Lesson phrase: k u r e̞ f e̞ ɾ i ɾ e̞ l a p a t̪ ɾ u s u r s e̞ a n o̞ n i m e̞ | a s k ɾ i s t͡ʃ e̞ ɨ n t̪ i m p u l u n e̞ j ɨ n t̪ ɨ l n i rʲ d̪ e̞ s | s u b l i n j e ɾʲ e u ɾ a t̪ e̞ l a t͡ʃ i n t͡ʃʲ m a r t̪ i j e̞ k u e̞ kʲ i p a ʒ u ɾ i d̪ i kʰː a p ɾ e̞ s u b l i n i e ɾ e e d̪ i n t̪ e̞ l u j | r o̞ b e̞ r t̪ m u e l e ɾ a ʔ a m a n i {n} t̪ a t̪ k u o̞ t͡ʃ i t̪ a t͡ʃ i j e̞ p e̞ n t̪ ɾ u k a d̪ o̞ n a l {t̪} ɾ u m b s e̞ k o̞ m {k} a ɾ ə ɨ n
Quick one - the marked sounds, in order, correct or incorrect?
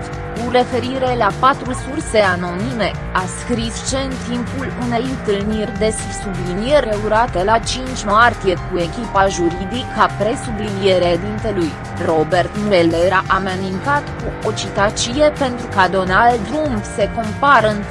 correct, incorrect: d̪, incorrect: p

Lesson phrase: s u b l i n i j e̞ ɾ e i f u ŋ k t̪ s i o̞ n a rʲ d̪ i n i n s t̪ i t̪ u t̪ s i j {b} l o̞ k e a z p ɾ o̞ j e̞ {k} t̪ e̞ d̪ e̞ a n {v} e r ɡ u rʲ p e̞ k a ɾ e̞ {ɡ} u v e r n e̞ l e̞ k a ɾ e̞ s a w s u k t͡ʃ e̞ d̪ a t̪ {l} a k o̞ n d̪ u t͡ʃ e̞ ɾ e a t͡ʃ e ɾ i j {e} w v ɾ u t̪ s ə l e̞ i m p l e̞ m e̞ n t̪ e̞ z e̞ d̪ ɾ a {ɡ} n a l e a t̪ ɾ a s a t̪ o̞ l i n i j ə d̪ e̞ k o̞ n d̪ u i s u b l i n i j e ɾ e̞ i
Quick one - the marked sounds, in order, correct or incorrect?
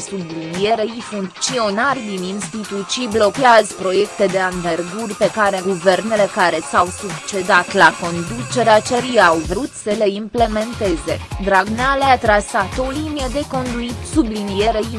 correct, correct, correct, correct, correct, incorrect: a, correct

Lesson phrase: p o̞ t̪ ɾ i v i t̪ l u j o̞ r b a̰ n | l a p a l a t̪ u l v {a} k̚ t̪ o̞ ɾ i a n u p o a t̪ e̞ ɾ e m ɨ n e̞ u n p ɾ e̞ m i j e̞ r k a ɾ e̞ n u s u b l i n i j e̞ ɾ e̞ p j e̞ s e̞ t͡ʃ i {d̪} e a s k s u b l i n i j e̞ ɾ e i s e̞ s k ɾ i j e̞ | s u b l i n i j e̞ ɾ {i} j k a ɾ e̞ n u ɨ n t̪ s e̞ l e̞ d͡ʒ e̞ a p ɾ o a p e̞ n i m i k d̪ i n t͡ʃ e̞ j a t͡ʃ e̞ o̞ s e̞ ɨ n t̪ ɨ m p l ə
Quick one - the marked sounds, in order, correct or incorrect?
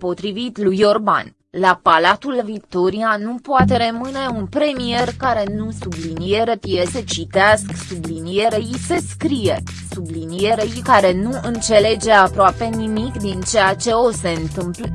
incorrect: i, incorrect: t̪, incorrect: e

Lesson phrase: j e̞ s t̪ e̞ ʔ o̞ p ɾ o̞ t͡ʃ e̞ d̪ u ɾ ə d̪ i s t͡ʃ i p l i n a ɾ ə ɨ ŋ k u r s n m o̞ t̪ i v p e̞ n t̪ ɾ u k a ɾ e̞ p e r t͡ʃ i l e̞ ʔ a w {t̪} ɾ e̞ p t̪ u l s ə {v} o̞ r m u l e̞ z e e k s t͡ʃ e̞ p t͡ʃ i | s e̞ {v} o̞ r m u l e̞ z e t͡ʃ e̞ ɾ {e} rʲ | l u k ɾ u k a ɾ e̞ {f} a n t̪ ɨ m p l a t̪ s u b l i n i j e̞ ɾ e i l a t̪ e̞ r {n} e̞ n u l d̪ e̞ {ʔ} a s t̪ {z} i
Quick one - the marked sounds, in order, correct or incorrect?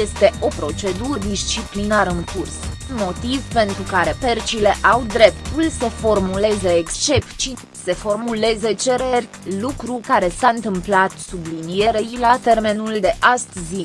incorrect: d̪, incorrect: f, incorrect: f, correct, incorrect: s, incorrect: m, correct, correct

